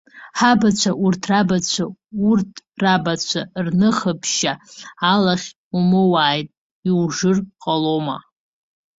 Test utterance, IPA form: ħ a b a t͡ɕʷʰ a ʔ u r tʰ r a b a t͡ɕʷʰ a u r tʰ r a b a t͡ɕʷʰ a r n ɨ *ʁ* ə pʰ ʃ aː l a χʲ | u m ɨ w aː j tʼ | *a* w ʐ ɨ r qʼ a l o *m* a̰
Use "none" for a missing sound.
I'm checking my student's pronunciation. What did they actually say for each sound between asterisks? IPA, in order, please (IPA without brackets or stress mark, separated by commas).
χ, i, m